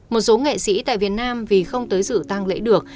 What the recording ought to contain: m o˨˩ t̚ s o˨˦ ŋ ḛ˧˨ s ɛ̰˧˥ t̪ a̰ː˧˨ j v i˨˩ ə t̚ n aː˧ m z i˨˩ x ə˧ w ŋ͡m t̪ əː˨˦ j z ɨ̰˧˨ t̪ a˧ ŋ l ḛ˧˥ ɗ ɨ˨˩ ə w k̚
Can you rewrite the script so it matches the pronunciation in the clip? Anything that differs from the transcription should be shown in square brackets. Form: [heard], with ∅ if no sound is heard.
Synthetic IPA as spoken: m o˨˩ t̚ s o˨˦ ŋ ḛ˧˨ s [ḭ˧˥] t̪ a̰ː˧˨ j v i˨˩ ə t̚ n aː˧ m [v] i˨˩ x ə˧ w ŋ͡m t̪ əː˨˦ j z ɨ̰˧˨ t̪ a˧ ŋ l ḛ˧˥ ɗ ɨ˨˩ ə [∅] k̚